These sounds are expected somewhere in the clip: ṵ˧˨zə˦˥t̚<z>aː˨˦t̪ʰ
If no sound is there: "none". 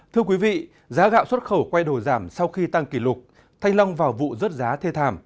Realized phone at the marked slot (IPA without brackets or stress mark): z